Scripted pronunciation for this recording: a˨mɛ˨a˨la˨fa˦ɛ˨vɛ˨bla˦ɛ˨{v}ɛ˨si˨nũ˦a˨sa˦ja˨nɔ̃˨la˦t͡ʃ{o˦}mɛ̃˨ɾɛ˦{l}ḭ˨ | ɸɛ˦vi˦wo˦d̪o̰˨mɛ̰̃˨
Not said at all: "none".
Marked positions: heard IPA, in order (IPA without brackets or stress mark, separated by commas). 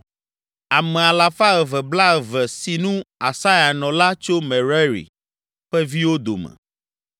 v, o˦, ɾ